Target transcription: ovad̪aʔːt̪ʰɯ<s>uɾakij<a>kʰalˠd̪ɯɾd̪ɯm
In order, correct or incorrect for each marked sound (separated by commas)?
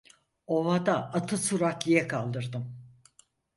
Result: correct, incorrect